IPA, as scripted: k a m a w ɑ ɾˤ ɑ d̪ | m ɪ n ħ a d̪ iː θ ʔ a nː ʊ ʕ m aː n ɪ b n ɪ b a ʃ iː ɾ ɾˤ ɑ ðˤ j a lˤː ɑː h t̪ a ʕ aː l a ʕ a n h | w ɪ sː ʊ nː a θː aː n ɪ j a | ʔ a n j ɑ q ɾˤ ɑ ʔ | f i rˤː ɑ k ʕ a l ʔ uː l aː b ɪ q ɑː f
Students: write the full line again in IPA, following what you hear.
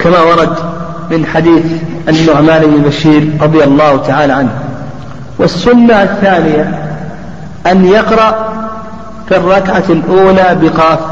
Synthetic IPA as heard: k a m a w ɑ ɾˤ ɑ d̪ | m ɪ n ħ a d̪ iː θ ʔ a nː ʊ ʕ m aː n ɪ b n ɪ b a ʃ iː ɾ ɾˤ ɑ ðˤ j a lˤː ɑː h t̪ a ʕ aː l a ʕ a n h | w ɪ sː ʊ nː a θː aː n ɪ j a | ʔ a n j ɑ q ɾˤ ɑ ʔ | f i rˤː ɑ k ʕ a l ʔ uː l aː b ɪ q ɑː f